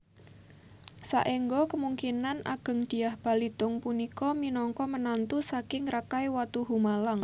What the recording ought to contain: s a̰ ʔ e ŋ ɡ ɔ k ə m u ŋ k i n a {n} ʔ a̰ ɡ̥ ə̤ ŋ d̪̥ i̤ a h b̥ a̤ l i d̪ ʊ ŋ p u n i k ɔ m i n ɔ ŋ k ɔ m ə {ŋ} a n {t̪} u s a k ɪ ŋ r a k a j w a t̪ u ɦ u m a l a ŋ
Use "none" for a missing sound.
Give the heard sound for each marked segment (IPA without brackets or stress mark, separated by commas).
n, n, t̪